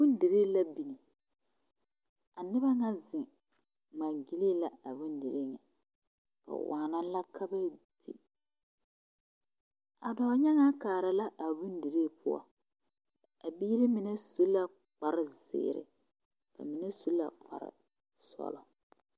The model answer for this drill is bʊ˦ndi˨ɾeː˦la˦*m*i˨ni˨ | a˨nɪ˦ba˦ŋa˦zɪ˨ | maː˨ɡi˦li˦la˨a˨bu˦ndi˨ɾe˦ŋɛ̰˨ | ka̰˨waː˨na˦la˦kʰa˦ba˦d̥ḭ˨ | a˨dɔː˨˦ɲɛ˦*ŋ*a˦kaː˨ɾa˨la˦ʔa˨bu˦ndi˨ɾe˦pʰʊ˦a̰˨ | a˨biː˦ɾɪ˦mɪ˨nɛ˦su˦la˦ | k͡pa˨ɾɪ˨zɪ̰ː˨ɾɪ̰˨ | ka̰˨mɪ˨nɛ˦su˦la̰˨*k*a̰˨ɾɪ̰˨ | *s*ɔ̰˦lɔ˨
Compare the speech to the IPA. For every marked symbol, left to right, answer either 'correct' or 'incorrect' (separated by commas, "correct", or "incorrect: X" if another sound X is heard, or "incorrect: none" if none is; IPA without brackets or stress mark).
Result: incorrect: b, correct, incorrect: k͡p, correct